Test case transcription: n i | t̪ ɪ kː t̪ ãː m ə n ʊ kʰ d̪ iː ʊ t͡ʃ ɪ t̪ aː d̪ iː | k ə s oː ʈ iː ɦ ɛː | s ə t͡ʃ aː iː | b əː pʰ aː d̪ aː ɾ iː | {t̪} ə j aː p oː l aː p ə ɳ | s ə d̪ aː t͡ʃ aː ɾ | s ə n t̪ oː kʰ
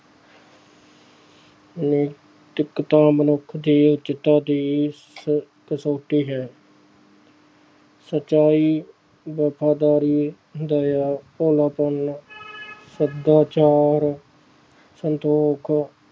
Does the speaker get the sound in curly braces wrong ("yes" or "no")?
yes